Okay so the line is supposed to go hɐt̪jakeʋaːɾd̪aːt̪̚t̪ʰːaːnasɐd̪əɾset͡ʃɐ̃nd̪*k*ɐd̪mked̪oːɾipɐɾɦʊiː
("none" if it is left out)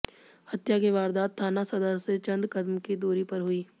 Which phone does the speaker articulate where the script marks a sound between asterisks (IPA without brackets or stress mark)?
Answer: k